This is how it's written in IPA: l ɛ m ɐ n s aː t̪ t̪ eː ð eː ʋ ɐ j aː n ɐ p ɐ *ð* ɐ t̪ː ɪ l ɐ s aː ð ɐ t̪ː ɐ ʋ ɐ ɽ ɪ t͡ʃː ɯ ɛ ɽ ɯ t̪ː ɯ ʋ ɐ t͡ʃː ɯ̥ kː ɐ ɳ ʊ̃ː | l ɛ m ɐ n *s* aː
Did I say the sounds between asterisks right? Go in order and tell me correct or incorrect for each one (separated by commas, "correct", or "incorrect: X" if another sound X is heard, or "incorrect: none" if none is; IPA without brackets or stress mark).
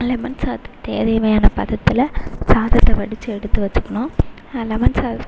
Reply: correct, correct